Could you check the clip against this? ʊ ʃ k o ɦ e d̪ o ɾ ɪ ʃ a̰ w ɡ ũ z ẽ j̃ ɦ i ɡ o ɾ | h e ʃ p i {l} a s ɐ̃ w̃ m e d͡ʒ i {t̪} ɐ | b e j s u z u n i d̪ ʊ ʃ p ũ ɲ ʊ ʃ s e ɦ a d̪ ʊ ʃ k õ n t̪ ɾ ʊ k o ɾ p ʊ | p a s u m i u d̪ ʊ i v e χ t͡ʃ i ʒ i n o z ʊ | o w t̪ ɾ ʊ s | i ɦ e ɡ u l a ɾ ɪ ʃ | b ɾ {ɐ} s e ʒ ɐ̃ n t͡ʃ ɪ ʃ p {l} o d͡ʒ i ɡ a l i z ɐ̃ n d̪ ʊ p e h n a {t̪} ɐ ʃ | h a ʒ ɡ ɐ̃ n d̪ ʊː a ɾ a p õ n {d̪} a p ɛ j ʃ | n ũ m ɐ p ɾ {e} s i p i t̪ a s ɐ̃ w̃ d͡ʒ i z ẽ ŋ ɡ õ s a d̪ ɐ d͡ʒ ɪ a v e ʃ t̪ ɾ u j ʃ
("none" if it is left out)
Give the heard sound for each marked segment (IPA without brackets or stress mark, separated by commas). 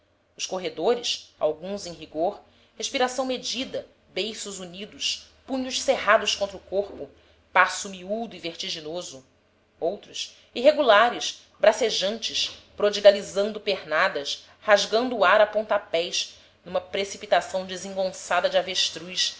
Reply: ɾ, d̪, a, ɾ, d̪, t̪, e